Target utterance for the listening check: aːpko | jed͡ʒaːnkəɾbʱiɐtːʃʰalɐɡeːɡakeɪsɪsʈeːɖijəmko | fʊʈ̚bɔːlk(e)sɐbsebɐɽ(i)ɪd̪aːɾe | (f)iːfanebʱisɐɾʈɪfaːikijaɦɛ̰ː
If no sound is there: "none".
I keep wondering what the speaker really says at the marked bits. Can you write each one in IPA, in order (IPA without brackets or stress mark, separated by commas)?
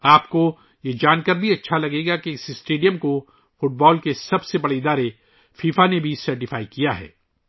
e, e, f